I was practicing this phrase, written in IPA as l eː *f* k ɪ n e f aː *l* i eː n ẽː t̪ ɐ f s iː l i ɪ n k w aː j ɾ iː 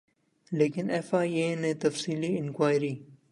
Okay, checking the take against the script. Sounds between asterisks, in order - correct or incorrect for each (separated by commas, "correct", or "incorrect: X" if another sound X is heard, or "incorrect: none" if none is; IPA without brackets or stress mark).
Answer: incorrect: none, incorrect: none